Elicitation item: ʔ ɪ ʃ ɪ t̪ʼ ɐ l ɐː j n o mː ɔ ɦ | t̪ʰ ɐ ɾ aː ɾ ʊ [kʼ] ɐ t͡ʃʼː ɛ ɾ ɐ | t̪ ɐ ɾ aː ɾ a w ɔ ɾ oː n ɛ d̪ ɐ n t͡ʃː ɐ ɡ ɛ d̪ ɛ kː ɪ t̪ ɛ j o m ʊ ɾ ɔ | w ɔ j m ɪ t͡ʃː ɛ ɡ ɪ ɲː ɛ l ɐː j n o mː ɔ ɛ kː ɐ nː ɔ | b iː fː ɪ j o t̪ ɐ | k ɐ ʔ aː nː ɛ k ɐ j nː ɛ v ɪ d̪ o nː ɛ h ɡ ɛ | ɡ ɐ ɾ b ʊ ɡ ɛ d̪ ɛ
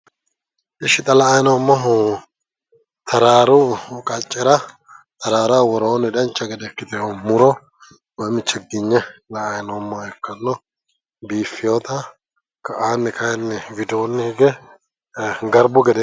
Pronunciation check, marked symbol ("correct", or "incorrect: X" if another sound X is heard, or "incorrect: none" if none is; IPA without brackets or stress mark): correct